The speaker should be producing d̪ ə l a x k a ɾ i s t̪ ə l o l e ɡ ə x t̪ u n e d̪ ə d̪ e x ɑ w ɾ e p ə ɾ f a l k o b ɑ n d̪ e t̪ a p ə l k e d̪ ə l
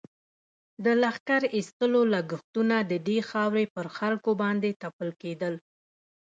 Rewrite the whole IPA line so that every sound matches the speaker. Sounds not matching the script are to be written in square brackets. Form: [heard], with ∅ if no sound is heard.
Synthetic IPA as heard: d̪ ə l a x k a ɾ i s t̪ ə l o l [a] ɡ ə x t̪ u n [a] d̪ ə d̪ e x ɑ w ɾ e p ə ɾ [x] a l k o b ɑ n d̪ e t̪ a p ə l k e d̪ ə l